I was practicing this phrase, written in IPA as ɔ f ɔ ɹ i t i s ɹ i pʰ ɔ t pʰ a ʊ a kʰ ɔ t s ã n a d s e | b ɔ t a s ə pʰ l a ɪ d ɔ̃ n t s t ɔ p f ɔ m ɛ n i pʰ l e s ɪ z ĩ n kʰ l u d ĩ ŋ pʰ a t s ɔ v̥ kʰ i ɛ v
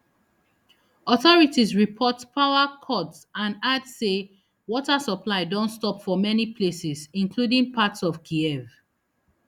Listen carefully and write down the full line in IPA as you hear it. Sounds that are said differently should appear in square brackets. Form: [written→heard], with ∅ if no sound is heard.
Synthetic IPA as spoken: ɔ [f→θ] ɔ ɹ i t i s ɹ i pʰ ɔ t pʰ a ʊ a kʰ ɔ t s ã n a d s e | [b→w] ɔ t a s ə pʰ l a ɪ d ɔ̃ n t s t ɔ p f ɔ m ɛ n i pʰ l e s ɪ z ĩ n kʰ l u d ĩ ŋ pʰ a t s ɔ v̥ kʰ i ɛ v